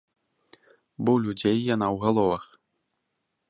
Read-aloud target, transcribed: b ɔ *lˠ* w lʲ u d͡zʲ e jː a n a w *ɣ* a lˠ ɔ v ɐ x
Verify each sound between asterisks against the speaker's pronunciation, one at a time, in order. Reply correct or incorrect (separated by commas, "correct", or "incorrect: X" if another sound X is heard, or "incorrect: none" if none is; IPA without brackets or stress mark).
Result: incorrect: none, correct